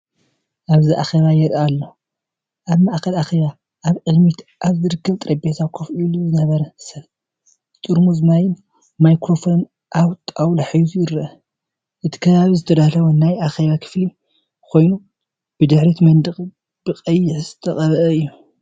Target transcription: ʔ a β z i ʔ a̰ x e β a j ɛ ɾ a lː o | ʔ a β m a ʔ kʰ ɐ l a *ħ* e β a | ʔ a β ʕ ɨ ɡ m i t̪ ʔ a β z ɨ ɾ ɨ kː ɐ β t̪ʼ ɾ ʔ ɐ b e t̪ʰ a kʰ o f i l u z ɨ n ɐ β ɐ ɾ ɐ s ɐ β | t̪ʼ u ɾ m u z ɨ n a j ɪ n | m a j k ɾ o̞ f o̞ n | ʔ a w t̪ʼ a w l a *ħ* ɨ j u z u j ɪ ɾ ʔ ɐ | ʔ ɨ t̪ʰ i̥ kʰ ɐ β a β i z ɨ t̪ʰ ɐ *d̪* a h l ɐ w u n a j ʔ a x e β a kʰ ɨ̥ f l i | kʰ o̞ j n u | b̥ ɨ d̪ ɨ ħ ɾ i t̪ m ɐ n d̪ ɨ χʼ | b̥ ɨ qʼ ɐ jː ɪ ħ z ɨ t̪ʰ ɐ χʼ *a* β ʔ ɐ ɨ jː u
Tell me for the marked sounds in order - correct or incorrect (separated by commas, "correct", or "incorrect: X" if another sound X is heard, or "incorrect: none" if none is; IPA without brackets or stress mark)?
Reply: incorrect: x, correct, correct, incorrect: ɐ